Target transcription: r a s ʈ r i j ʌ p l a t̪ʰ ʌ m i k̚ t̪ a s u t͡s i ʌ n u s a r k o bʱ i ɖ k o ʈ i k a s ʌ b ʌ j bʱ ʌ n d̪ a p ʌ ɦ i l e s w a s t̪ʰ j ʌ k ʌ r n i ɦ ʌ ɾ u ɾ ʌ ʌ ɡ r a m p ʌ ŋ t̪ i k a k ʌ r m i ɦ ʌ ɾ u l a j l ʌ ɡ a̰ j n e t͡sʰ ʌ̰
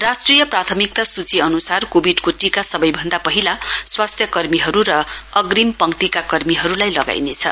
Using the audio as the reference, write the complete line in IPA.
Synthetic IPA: r a s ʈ r i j ʌ p r a t̪ʰ ʌ m i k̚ t̪ a s u t͡s i ʌ n u s a r k o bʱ i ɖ k o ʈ i k a s ʌ b ʌ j bʱ ʌ n d̪ a p ʌ ɦ i l a s w a s t̪ʰ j ʌ k ʌ r m i ɦ ʌ ɾ u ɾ ʌ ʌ ɡ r i m p ʌ ŋ t̪ i k a k ʌ r m i ɦ ʌ ɾ u l a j l ʌ ɡ a̰ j n e t͡sʰ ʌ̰